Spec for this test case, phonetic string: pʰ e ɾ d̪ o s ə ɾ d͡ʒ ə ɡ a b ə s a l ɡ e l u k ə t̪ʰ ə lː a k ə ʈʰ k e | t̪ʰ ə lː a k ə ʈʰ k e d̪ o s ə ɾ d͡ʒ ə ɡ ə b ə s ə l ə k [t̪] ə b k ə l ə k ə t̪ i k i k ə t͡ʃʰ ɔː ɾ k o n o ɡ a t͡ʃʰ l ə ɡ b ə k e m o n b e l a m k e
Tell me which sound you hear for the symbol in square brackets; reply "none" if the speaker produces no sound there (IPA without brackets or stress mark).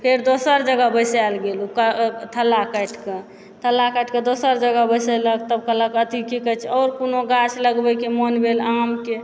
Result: t̪